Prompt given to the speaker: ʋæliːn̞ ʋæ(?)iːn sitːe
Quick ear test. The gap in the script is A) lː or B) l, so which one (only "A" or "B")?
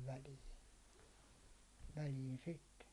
B